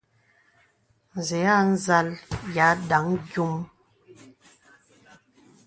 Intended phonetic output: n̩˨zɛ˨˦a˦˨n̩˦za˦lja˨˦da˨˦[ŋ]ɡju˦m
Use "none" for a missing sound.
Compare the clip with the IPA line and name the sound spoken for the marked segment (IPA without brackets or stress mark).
ŋ